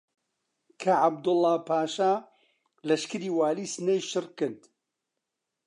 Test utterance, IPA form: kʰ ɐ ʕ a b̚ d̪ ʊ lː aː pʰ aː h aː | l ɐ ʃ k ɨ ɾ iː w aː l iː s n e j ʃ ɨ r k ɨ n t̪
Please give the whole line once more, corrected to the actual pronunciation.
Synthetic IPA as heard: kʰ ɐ ʕ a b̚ d̪ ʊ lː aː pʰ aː ʃ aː | l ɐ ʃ k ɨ ɾ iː w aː l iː s n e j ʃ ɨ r k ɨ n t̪